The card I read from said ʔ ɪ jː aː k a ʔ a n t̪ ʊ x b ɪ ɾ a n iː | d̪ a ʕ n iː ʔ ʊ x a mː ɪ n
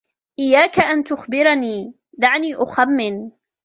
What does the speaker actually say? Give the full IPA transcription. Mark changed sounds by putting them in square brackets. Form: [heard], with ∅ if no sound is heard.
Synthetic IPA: ʔ ɪ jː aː k a ʔ a n t̪ ʊ x b ɪ ɾ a n iː | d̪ a ʕ n iː ʔ ʊ x a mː ɪ n